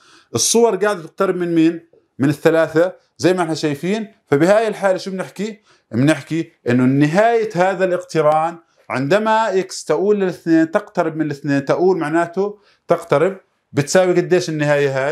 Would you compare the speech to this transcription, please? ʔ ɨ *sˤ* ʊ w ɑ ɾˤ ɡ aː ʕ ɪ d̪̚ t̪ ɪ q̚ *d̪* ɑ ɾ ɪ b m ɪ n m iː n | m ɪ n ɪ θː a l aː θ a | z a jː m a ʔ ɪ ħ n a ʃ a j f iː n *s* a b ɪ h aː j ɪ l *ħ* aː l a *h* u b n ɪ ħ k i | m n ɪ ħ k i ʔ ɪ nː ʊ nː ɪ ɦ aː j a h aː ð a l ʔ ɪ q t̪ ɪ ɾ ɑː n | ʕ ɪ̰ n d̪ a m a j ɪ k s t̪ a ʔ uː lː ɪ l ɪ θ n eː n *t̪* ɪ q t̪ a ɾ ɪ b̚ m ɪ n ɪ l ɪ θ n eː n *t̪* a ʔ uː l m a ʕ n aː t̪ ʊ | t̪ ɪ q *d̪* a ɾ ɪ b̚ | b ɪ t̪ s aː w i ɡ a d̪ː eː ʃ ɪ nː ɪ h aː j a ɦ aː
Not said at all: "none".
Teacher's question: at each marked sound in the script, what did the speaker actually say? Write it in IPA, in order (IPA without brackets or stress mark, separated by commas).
sˤː, t̪, f, ħ, ʃ, t̪, t̪, t̪